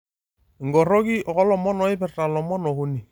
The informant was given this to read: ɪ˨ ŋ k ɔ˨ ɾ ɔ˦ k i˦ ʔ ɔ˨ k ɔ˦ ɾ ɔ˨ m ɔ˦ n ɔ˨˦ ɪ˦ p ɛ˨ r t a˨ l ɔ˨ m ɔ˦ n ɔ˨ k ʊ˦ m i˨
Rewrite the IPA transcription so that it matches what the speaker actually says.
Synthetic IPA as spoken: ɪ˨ ŋ ɡ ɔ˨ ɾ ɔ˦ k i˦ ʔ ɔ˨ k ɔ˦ l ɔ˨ m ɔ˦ n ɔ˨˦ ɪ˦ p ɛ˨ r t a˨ l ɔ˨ m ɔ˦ n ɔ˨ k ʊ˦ n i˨